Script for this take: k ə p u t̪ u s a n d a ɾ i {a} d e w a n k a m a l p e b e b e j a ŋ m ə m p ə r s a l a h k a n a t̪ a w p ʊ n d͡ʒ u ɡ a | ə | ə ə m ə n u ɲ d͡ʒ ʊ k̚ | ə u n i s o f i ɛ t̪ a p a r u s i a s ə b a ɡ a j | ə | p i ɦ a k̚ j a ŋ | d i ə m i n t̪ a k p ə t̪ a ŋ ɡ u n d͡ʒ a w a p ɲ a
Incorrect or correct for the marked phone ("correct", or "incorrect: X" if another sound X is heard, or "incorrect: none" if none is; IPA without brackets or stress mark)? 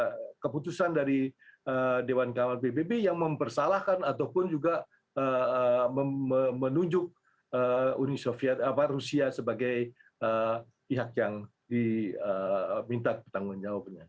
incorrect: ə